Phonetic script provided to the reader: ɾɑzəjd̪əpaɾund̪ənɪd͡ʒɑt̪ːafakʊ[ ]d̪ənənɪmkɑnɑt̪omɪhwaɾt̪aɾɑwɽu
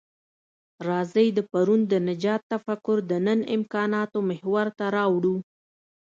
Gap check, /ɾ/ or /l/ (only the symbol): ɾ